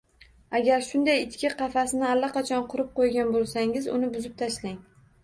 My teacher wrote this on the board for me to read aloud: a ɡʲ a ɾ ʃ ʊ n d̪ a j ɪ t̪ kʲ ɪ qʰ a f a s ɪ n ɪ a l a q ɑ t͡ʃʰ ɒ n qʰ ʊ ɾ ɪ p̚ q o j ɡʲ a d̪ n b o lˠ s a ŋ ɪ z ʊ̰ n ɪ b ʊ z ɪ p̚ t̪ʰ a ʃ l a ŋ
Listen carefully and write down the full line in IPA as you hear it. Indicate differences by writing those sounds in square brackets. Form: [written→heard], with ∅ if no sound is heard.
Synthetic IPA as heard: a ɡʲ a ɾ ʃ ʊ n d̪ a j ɪ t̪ kʲ ɪ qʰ [a→ɑ] f a s ɪ n ɪ a [l→lː] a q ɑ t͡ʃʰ ɒ n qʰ ʊ ɾ ɪ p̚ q o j ɡʲ a [d̪→∅] n b o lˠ s a ŋ ɪ z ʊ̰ n ɪ b ʊ z ɪ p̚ t̪ʰ a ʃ l a ŋ